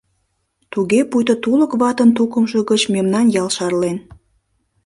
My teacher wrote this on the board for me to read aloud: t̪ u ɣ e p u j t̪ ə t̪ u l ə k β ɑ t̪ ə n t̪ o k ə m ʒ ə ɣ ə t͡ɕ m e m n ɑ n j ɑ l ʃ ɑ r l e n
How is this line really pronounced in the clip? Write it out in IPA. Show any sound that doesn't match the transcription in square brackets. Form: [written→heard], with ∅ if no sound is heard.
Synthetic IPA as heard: t̪ u ɣ e p u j t̪ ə t̪ u l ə k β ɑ t̪ ə n t̪ [o→u] k ə m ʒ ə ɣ ə t͡ɕ m e m n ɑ n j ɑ l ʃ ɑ r l e n